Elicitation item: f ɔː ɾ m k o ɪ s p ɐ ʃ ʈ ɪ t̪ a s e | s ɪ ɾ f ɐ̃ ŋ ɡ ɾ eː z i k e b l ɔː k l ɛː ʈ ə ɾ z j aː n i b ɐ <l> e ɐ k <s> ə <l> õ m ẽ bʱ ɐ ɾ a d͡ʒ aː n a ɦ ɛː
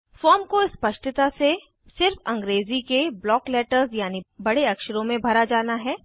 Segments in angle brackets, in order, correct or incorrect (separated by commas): incorrect, incorrect, incorrect